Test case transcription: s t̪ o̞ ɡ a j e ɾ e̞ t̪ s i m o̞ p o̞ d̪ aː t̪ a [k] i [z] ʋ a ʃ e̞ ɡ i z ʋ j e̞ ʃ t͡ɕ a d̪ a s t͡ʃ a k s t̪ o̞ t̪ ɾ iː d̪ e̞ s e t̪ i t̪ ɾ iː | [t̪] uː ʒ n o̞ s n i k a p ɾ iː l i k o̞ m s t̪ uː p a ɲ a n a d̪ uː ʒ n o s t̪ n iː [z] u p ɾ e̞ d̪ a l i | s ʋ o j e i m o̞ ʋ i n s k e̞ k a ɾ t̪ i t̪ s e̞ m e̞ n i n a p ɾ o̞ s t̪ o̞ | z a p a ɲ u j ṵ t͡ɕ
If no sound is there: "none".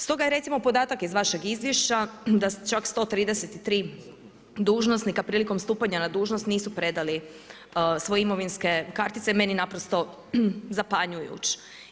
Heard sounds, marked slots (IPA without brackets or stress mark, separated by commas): k, z, d̪, s